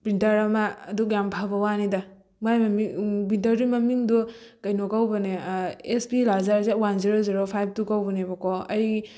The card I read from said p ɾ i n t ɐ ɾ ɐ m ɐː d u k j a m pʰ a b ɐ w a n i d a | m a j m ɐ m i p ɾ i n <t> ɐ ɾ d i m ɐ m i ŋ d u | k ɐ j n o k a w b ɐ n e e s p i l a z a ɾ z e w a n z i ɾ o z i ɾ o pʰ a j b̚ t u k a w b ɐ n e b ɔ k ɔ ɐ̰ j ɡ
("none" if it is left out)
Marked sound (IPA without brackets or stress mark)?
t